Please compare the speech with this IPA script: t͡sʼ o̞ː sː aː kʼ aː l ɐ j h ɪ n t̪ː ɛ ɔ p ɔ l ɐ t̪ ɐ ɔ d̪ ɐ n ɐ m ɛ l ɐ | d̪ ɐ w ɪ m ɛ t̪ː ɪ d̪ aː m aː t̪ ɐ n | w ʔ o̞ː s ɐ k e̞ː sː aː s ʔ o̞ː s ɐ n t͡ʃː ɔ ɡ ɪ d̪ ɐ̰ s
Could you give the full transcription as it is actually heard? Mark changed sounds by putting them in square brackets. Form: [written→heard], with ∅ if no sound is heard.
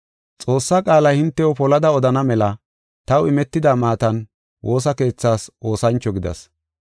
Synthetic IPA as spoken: t͡sʼ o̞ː sː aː kʼ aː l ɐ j h ɪ n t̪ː ɛ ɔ p ɔ l ɐ [t̪→d̪] ɐ ɔ d̪ ɐ n ɐ m ɛ l ɐ | [d̪→t̪] ɐ w ɪ m ɛ t̪ː ɪ d̪ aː m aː t̪ ɐ n | w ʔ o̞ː s ɐ k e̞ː [sː→t͡sː] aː s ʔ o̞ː s ɐ n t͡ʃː ɔ ɡ ɪ d̪ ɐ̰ s

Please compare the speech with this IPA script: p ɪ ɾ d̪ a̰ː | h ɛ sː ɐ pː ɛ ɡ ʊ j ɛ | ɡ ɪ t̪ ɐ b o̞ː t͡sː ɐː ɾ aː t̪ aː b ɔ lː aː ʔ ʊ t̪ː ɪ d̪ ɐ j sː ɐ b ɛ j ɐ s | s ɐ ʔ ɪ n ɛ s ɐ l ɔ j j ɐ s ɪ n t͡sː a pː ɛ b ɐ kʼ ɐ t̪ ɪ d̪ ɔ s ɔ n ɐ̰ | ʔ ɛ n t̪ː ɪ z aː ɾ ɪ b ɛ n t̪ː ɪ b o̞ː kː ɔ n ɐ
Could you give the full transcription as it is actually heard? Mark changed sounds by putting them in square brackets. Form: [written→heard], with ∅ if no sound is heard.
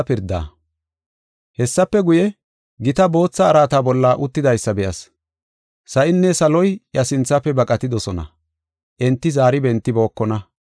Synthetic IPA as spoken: p ɪ ɾ d̪ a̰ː | h ɛ sː ɐ pː ɛ ɡ ʊ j ɛ | ɡ ɪ t̪ ɐ b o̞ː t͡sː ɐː ɾ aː t̪ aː b ɔ lː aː ʔ ʊ t̪ː ɪ d̪ ɐ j sː ɐ b ɛ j ɐ s | s ɐ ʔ ɪ [n→nː] ɛ s ɐ l ɔ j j ɐ s ɪ n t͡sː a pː ɛ b ɐ kʼ ɐ t̪ ɪ d̪ ɔ s ɔ n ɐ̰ | ʔ ɛ n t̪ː ɪ z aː ɾ ɪ b ɛ n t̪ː ɪ b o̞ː kː ɔ n ɐ

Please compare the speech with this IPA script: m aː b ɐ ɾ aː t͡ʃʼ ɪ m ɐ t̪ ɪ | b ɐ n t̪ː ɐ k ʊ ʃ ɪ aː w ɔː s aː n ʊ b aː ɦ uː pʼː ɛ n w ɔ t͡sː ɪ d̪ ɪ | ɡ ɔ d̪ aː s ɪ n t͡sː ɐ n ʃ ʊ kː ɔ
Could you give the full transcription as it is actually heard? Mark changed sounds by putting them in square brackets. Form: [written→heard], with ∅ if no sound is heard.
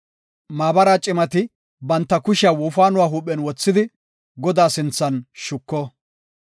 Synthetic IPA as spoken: m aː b ɐ ɾ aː t͡ʃʼ ɪ m ɐ t̪ ɪ | b ɐ n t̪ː ɐ k ʊ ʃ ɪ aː w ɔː [s→f] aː n ʊ [b→w] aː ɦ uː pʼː ɛ n w ɔ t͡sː ɪ d̪ ɪ | ɡ ɔ d̪ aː s ɪ n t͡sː ɐ n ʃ ʊ kː ɔ

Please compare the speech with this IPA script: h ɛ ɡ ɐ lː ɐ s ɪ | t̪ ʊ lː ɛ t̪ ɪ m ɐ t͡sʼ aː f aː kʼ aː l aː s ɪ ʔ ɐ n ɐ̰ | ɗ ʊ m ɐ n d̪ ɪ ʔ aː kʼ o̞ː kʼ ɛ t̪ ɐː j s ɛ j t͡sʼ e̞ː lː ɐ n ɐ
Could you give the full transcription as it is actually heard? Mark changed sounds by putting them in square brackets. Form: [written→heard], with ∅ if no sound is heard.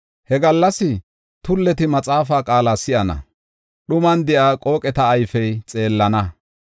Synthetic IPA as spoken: h ɛ ɡ ɐ lː ɐ s ɪ | t̪ ʊ lː ɛ t̪ ɪ m ɐ t͡sʼ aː f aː kʼ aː l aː s ɪ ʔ ɐ n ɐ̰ | ɗ ʊ m ɐ n d̪ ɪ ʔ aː kʼ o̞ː kʼ ɛ t̪ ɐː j [s→f] ɛ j t͡sʼ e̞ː lː ɐ n ɐ

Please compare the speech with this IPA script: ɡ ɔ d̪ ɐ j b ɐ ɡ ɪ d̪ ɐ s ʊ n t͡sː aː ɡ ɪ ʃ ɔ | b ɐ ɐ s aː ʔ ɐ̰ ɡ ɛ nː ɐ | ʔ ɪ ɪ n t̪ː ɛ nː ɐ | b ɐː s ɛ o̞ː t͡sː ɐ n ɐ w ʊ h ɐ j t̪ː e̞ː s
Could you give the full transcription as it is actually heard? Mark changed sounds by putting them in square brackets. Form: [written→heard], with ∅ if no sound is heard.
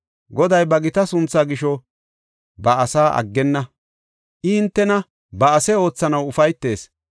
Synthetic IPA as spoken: ɡ ɔ d̪ ɐ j b ɐ ɡ ɪ [d̪→t̪] ɐ s ʊ n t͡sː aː ɡ ɪ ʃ ɔ | b ɐ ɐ s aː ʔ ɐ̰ [ɡ→ɡː] ɛ nː ɐ | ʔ ɪ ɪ n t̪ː ɛ [nː→n] ɐ | b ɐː s ɛ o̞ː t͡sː ɐ n ɐ w ʊ [h→f] ɐ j t̪ː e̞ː s

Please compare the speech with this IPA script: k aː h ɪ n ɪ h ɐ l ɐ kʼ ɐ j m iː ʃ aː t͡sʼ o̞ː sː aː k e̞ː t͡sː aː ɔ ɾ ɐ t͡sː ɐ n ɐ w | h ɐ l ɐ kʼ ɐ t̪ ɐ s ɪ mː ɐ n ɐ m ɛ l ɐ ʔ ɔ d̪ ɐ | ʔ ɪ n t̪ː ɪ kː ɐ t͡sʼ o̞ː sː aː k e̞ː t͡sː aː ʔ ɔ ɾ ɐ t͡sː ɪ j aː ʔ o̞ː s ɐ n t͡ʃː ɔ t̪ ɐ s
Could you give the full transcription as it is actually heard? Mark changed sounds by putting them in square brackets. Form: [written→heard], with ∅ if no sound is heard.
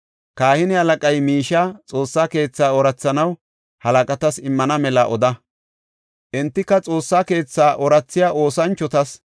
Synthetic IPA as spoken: k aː h ɪ n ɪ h ɐ l ɐ kʼ ɐ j m iː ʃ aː t͡sʼ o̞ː sː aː k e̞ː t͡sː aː ɔ ɾ ɐ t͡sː ɐ n ɐ w | h ɐ l ɐ kʼ ɐ t̪ ɐ s ɪ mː ɐ n ɐ m ɛ l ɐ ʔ ɔ d̪ ɐ | ʔ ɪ n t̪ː ɪ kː ɐ t͡sʼ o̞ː sː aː k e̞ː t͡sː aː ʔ ɔ ɾ ɐ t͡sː ɪ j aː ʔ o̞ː s ɐ n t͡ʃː ɔ t̪ ɐ s

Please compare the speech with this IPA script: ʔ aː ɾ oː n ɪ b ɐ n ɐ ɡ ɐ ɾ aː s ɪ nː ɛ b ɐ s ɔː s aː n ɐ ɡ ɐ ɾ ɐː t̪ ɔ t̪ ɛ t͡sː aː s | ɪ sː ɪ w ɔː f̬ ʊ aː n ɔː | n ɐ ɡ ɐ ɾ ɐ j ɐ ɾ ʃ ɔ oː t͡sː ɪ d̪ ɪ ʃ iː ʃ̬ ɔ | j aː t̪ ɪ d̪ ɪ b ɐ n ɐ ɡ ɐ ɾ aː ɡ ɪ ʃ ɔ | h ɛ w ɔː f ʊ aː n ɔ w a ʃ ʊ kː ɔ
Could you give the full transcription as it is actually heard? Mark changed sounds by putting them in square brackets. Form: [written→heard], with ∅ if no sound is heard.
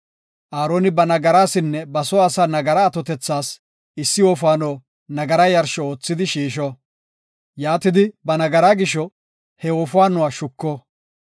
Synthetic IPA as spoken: ʔ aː ɾ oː n ɪ b ɐ n ɐ ɡ ɐ ɾ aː s ɪ nː ɛ b ɐ s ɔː s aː n ɐ ɡ ɐ ɾ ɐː t̪ ɔ t̪ ɛ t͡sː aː s | ɪ sː ɪ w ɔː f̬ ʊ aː n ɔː | n ɐ ɡ ɐ ɾ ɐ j ɐ ɾ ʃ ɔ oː t͡sː ɪ d̪ ɪ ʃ iː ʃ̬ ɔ | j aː t̪ ɪ d̪ ɪ b ɐ n ɐ ɡ ɐ ɾ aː ɡ ɪ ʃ ɔ | h ɛ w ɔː f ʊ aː n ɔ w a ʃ ʊ kː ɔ

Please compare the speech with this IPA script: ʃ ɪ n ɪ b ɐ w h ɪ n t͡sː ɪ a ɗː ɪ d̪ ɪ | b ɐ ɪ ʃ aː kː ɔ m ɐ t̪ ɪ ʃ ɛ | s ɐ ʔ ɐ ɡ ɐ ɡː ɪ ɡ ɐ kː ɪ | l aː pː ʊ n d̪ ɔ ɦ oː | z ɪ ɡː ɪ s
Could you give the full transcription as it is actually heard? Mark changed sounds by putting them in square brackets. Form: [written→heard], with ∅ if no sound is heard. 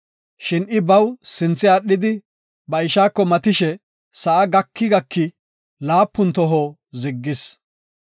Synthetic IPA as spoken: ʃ ɪ n ɪ b ɐ w [h→s] ɪ n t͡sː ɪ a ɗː ɪ d̪ ɪ | b ɐ ɪ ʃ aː kː ɔ m ɐ t̪ ɪ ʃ ɛ | s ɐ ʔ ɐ ɡ ɐ [ɡː→kː] ɪ ɡ ɐ kː ɪ | l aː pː ʊ n [d̪→t̪] ɔ ɦ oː | z ɪ ɡː ɪ s

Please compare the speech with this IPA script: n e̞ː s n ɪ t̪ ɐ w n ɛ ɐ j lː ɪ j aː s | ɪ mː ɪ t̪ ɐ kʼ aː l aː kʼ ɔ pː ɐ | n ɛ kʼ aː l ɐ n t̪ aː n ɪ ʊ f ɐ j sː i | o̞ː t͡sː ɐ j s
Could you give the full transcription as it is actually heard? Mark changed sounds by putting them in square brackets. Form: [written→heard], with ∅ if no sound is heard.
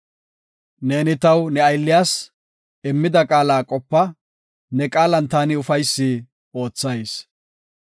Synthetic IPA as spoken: n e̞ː [s→∅] n ɪ t̪ ɐ w n ɛ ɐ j lː ɪ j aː s | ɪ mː ɪ [t̪→d̪] ɐ kʼ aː l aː kʼ ɔ pː ɐ | n ɛ kʼ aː l ɐ n t̪ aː n ɪ ʊ f ɐ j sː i | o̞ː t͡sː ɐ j s

